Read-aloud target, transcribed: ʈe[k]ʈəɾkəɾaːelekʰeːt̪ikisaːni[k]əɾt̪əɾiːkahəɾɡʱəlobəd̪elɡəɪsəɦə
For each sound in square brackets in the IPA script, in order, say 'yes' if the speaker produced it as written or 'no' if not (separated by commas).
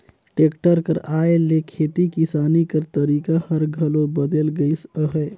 yes, yes